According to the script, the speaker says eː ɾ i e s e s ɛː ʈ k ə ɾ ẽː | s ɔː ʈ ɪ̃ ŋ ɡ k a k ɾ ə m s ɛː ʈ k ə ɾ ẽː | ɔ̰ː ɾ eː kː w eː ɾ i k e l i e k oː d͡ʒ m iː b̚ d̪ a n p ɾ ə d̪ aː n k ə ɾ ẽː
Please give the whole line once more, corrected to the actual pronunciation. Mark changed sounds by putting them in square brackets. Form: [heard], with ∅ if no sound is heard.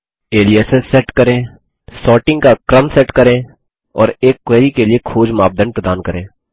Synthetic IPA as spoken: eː [l] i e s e s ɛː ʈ k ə ɾ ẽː | s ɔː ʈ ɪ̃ ŋ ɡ k a k ɾ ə m s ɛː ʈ k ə ɾ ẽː | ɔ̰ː ɾ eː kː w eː ɾ i k e l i e [kʰ] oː d͡ʒ m [aː] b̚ d̪ [ə] n p ɾ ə d̪ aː n k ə ɾ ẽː